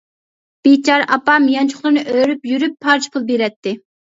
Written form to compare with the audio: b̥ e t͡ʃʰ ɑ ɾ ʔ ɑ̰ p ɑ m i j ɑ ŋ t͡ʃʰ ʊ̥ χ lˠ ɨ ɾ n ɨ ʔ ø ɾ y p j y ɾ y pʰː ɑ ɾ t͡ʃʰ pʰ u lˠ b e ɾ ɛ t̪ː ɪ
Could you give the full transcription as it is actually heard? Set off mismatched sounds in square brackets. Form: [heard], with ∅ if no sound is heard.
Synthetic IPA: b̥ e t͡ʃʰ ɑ ɾ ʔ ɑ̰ p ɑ m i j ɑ [n] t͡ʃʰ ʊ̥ χ lˠ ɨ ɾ n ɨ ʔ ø ɾ y p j y ɾ y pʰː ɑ ɾ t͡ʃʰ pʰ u lˠ b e ɾ ɛ t̪ː ɪ